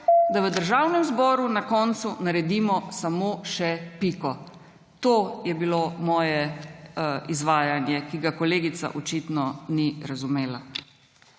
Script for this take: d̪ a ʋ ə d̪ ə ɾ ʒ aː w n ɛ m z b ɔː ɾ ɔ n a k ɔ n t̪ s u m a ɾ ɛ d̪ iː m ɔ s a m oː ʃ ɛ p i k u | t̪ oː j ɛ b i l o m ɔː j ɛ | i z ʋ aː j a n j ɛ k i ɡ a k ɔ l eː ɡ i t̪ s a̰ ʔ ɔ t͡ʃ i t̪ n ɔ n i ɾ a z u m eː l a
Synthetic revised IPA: d̪ a ʋ ə d̪ ə ɾ ʒ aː w n ɛ m z b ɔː ɾ u n a k ɔ n t̪ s u n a ɾ ɛ d̪ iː m ɔ s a m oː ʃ ɛ p i k ɔ | t̪ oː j ɛ b i l o m ɔː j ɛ | i z ʋ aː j a n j ɛ k i ɡ a k ɔ l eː ɡ i t̪ s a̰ ʔ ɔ t͡ʃ i t̪ n ɔ n i ɾ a z u m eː l a